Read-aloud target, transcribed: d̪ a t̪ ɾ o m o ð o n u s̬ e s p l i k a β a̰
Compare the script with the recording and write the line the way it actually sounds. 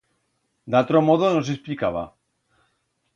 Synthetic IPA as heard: d̪ a t̪ ɾ o m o ð o n o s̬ e s p l i k a β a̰